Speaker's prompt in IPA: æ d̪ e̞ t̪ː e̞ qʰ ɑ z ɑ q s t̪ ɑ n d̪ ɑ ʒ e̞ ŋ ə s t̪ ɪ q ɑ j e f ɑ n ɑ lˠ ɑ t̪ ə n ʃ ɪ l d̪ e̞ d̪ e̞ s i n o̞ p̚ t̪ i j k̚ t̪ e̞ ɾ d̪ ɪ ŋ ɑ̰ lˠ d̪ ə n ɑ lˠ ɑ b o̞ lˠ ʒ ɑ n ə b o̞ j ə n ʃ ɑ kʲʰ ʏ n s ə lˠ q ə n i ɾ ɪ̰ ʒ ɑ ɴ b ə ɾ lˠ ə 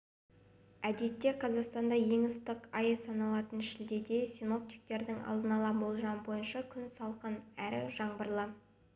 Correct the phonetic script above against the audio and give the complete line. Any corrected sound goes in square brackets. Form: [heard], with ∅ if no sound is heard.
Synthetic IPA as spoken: æ d̪ e̞ t̪ː e̞ qʰ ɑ z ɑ q s t̪ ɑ n d̪ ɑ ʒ e̞ ŋ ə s t̪ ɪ q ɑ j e [s] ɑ n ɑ lˠ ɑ t̪ ə n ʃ ɪ l d̪ e̞ d̪ e̞ s i n o̞ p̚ t̪ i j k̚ t̪ e̞ ɾ d̪ ɪ ŋ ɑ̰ lˠ d̪ ə n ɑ lˠ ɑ b o̞ lˠ ʒ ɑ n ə b o̞ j ə n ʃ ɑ kʲʰ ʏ n s [ɑ] lˠ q ə n [æ] ɾ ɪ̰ ʒ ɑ ɴ b ə ɾ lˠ ə

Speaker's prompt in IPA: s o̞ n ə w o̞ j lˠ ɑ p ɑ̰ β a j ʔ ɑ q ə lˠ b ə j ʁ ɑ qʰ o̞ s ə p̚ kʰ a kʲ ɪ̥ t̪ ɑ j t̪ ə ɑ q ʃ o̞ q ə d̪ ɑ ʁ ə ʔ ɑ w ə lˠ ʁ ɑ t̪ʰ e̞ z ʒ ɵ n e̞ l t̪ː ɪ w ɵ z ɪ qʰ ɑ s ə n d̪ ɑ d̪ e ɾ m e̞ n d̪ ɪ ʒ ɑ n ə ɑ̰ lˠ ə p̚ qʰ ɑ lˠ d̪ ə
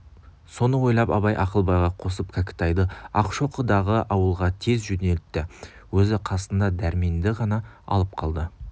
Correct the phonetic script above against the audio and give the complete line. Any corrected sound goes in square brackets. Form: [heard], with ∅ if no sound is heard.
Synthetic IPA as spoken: s o̞ n ə w o̞ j lˠ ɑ p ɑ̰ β [ɑ] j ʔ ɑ q ə lˠ b [ɑ] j ʁ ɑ qʰ o̞ s ə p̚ kʰ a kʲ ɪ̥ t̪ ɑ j [d̪] ə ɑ q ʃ o̞ q ə d̪ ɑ ʁ ə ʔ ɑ w ə lˠ ʁ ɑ t̪ʰ e̞ z ʒ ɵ n e̞ l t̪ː ɪ w ɵ z ɪ qʰ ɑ s ə n d̪ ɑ d̪ [æ] ɾ m e̞ n d̪ ɪ [ʁ] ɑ n [ɑ] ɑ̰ lˠ ə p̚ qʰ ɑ lˠ d̪ ə

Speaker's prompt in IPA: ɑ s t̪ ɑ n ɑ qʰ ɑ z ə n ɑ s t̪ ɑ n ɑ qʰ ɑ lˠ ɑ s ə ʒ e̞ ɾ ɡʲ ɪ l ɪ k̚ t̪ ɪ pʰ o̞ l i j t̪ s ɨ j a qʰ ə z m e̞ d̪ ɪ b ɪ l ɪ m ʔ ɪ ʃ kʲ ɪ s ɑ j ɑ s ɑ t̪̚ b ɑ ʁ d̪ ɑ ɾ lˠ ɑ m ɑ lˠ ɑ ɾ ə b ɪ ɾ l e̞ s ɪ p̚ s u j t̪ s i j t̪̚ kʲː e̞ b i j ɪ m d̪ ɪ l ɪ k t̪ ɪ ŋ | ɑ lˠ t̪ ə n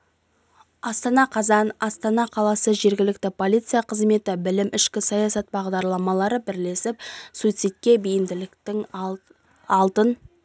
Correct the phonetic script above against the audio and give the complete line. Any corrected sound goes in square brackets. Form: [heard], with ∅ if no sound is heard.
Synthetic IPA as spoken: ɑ s t̪ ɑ n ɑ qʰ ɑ z [ɑ] n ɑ s t̪ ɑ n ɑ qʰ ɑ lˠ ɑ s ə ʒ e̞ ɾ ɡʲ ɪ l ɪ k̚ t̪ ɪ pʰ o̞ l i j t̪ s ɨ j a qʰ ə z m e̞ [t̪] ɪ b ɪ l ɪ m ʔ ɪ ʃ kʲ ɪ s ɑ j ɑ s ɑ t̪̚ b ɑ ʁ d̪ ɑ ɾ lˠ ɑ m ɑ lˠ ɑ ɾ ə b ɪ ɾ l e̞ s ɪ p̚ s u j t̪ s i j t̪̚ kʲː e̞ b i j ɪ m d̪ ɪ l ɪ k t̪ ɪ ŋ | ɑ lˠ t̪ ə n

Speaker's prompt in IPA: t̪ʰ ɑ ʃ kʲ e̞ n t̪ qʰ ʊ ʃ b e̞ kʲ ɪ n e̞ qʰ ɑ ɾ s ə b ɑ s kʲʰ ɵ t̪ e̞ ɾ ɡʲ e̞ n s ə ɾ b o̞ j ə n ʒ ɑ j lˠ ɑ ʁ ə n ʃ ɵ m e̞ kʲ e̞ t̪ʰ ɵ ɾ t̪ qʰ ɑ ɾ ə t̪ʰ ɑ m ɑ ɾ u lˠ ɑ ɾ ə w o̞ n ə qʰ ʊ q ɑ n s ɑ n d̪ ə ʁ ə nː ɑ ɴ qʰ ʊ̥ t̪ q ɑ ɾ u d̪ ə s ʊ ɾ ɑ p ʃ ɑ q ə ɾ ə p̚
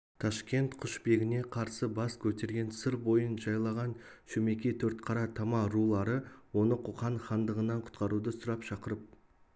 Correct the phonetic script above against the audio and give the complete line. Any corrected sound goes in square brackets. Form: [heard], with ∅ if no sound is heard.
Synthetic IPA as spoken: t̪ʰ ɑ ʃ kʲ e̞ n t̪ qʰ ʊ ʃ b e̞ [ɡʲ] ɪ n e̞ qʰ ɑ ɾ s ə b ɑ s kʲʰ ɵ t̪ e̞ ɾ ɡʲ e̞ n s ə ɾ b o̞ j ə n ʒ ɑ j lˠ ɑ ʁ [ɑ] n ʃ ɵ m e̞ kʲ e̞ t̪ʰ ɵ ɾ t̪ qʰ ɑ ɾ [ɑ] t̪ʰ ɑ m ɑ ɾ u lˠ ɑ ɾ ə w o̞ n ə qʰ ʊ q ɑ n [χ] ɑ n d̪ ə ʁ ə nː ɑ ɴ qʰ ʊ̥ t̪ q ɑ ɾ u d̪ ə s ʊ ɾ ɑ p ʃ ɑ q ə ɾ ə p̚

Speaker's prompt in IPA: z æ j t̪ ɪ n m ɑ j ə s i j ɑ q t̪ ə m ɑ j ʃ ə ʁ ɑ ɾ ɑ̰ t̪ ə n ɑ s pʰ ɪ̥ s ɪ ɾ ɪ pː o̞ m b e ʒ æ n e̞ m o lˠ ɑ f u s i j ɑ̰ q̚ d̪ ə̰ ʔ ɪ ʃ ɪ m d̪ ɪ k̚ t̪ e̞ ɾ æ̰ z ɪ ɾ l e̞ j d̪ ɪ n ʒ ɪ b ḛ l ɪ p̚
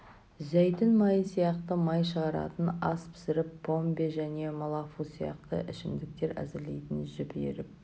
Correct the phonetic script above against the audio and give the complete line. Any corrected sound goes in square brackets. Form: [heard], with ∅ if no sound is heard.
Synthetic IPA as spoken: z æ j t̪ ɪ n m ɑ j ə s i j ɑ q t̪ ə m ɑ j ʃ ə ʁ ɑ ɾ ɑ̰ t̪ ə n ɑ s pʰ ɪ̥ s ɪ ɾ ɪ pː o̞ m b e ʒ æ n e̞ m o lˠ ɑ f u s i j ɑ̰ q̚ [t̪] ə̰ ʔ ɪ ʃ ɪ m d̪ ɪ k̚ t̪ e̞ ɾ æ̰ z ɪ ɾ l e̞ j [t̪] ɪ n ʒ ɪ b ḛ [ɾ] ɪ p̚

